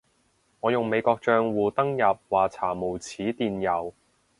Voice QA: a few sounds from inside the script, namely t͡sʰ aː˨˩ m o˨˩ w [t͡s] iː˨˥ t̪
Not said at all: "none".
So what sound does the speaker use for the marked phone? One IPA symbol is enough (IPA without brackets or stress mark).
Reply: t͡sʰ